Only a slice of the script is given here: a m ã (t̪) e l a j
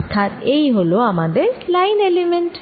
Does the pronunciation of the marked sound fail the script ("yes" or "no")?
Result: yes